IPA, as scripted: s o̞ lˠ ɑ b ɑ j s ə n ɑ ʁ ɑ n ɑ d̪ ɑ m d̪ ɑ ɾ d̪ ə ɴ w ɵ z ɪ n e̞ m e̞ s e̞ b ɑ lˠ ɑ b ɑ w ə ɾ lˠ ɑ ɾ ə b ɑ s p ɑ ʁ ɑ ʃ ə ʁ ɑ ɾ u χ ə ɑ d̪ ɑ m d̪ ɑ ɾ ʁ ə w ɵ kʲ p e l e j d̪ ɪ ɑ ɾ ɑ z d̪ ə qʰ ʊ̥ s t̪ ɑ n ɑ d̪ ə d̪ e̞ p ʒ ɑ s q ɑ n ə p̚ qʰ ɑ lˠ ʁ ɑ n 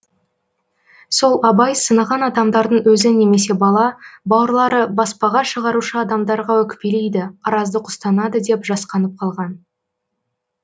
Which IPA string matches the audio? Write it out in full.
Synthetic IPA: s o̞ lˠ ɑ b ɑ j s ə n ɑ ʁ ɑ n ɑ d̪ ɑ m d̪ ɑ ɾ d̪ ə ɴ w ɵ z ɪ n e̞ m e̞ s e̞ b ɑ lˠ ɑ b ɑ w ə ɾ lˠ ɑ ɾ ə b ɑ s p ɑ ʁ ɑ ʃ ə ʁ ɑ ɾ u ʃ ə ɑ d̪ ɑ m d̪ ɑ ɾ ʁ ɑ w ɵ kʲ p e l e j d̪ ɪ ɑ ɾ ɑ z d̪ ə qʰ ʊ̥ s t̪ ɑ n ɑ d̪ ə d̪ e̞ p ʒ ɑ s q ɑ n ə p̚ qʰ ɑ lˠ ʁ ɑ n